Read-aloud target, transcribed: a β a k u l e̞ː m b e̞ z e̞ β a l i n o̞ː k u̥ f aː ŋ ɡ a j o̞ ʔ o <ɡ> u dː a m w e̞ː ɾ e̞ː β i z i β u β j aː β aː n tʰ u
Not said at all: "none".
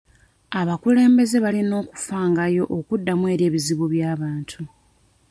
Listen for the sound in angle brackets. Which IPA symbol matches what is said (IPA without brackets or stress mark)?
k